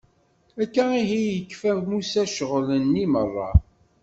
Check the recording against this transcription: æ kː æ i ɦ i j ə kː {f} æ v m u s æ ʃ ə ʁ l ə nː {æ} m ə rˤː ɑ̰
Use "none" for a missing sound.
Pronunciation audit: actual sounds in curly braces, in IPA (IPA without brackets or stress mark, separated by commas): f, i